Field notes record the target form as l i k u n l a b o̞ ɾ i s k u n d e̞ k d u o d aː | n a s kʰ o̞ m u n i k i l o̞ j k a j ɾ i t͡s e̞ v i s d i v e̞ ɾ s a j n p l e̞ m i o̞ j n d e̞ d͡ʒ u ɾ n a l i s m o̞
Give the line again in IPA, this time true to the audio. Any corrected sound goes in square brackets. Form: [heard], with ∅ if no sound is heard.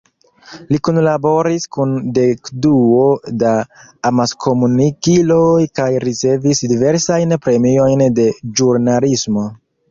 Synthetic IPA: l i k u n l a b o̞ ɾ i s k u n d e̞ k d u o d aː | [m] a s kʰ o̞ m u n i k i l o̞ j k a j ɾ i t͡s e̞ v i s d i v e̞ ɾ s a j n p [ɾ] e̞ m i o̞ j n d e̞ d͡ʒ u ɾ n a l i s m o̞